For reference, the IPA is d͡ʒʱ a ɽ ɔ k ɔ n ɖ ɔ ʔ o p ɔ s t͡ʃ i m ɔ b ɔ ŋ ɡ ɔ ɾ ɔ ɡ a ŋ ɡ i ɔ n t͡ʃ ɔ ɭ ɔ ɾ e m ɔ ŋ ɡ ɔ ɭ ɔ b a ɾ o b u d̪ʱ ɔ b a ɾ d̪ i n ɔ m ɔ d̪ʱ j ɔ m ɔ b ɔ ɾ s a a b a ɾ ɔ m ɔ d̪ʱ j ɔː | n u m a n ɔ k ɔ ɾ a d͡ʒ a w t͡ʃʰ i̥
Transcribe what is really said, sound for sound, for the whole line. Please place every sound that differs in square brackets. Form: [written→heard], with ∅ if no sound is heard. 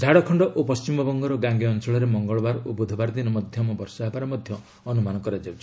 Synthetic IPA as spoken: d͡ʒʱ a ɽ ɔ [k→kʰ] ɔ [n→ɳ] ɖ ɔ ʔ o p ɔ s t͡ʃ i m ɔ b ɔ ŋ ɡ ɔ ɾ ɔ ɡ a ŋ ɡ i ɔ n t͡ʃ ɔ ɭ ɔ ɾ e m ɔ ŋ ɡ ɔ ɭ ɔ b a ɾ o b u d̪ʱ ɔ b a ɾ d̪ i n ɔ m ɔ d̪ʱ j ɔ m ɔ b ɔ ɾ s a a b a ɾ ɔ m ɔ d̪ʱ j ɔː | n u m a n ɔ k ɔ ɾ a d͡ʒ a w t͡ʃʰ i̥